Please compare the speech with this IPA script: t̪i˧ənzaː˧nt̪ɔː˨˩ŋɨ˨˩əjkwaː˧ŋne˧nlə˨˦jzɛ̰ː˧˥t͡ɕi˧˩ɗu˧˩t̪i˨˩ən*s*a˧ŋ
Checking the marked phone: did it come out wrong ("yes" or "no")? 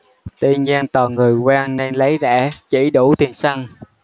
no